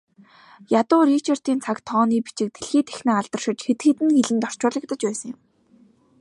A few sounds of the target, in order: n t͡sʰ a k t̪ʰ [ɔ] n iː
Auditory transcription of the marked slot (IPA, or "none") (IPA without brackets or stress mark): ɔː